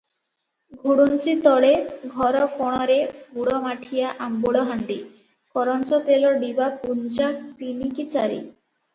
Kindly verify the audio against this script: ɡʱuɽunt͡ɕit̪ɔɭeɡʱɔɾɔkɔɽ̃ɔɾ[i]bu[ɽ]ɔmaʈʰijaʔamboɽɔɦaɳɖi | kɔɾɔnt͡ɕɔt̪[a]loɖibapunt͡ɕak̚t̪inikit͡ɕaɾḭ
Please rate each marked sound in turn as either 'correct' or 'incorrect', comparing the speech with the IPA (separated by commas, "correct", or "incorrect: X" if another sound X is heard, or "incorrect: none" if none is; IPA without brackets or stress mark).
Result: incorrect: e, correct, incorrect: e